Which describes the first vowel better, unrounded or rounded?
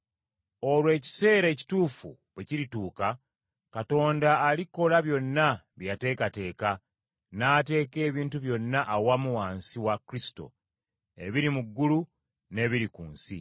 rounded